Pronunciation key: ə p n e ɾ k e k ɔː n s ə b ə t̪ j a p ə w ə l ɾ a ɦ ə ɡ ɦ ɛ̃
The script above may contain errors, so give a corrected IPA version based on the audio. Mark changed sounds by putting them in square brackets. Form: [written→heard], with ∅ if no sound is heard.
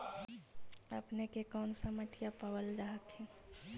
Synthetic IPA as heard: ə p n e [ɾ→∅] k e k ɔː n s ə [b→m] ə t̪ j a p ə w ə l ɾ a ɦ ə [ɡ→k] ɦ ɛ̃